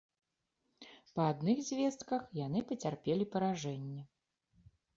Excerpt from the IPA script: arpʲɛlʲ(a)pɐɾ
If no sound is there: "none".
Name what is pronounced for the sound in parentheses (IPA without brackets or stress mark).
i